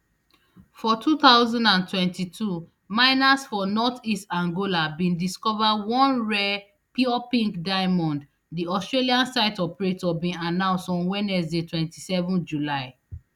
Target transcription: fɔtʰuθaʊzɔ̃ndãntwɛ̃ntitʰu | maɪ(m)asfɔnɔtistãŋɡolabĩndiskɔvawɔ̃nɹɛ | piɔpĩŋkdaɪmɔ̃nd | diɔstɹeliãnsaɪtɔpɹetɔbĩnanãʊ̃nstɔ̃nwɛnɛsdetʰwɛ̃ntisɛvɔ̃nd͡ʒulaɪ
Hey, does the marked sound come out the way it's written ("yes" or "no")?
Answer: no